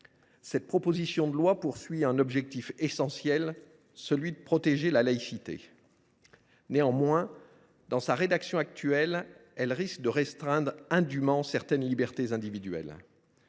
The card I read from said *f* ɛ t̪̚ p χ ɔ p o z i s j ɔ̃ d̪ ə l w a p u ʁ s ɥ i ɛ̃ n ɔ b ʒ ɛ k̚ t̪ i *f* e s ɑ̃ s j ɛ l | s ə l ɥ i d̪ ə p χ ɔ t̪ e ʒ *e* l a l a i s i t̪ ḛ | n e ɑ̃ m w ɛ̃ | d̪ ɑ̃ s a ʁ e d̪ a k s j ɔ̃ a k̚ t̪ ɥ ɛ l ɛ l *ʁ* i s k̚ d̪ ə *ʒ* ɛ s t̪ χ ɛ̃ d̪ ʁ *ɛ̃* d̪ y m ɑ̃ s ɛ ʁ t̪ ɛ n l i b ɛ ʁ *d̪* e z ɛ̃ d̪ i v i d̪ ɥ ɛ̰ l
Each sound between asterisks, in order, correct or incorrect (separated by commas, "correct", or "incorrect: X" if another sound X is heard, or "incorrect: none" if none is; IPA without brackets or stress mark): incorrect: s, correct, correct, correct, incorrect: ʁ, correct, incorrect: t̪